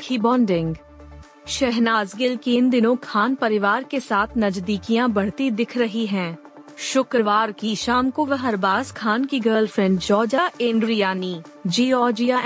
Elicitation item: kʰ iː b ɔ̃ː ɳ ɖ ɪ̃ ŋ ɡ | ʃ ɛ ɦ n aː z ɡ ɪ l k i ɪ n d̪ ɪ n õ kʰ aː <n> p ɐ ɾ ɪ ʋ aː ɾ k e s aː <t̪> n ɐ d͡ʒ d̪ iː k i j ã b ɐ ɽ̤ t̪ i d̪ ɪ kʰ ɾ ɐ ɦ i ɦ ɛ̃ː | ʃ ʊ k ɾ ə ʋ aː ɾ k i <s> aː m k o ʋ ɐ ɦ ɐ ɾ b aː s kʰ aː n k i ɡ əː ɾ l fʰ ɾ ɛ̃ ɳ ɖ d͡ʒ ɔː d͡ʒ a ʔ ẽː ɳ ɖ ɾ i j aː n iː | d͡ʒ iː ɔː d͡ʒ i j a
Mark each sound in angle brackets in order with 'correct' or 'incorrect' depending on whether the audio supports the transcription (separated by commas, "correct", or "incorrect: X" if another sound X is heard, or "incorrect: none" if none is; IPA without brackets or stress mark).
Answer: correct, incorrect: t̪ʰ, incorrect: ʃ